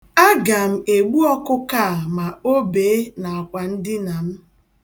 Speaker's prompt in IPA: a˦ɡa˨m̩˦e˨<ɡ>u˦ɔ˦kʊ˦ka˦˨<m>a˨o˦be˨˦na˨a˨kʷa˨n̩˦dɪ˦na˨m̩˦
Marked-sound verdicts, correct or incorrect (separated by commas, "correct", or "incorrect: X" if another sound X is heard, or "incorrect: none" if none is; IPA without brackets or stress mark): incorrect: ɡ͡b, correct